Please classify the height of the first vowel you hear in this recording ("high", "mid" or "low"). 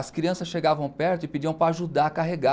low